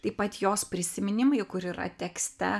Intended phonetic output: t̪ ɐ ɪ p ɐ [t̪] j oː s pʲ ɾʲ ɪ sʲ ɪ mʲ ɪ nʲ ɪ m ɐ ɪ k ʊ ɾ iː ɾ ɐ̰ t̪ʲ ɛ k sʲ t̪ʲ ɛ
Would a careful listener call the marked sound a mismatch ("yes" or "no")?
no